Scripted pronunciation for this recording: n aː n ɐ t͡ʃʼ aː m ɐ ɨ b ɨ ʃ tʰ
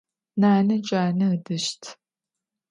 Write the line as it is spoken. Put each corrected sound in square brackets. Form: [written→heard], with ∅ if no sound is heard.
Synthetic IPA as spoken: n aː n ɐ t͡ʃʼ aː [m→n] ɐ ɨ [b→d] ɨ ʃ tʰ